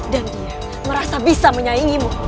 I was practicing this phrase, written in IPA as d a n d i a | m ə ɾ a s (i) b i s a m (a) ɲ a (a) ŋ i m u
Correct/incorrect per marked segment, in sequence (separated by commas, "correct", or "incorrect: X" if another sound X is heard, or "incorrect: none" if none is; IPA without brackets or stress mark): incorrect: a, incorrect: ə, incorrect: i